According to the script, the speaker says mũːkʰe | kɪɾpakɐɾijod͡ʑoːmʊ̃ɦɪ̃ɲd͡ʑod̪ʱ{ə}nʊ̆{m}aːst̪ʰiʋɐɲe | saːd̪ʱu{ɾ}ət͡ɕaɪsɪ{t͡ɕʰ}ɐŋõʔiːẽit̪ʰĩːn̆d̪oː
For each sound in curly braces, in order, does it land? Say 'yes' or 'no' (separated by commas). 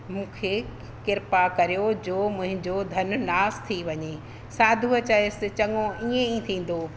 no, no, no, no